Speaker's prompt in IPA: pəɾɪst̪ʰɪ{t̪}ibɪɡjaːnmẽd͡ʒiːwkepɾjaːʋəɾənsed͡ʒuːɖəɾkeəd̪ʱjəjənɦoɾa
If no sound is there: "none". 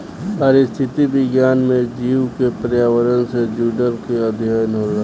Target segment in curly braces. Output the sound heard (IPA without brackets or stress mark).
t̪